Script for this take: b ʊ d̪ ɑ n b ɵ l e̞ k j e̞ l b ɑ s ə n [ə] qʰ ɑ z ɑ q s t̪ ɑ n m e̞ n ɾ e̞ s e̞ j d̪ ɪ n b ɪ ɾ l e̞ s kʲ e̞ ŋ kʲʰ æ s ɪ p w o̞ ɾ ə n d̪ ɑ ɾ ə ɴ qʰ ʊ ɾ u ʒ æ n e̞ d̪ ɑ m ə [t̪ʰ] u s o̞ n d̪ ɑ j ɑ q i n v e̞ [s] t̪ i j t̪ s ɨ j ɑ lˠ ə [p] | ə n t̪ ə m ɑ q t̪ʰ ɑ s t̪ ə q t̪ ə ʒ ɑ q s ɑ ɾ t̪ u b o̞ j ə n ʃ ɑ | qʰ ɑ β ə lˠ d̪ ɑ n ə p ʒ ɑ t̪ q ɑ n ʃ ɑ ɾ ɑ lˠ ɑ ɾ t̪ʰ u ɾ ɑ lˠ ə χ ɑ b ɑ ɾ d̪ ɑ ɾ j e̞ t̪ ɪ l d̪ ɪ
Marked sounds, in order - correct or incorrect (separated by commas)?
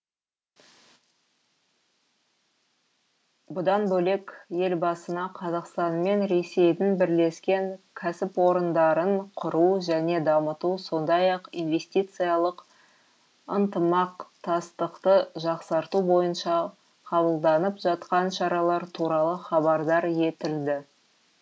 incorrect, incorrect, correct, incorrect